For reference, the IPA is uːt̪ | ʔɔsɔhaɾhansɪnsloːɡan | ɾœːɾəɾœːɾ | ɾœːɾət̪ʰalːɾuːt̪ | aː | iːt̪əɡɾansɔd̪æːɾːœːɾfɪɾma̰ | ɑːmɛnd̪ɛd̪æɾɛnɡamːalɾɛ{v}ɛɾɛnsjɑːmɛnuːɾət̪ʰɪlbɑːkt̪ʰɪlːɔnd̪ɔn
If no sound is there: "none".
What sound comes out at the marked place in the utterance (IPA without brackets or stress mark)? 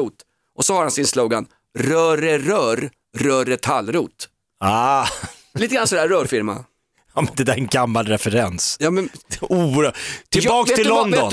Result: f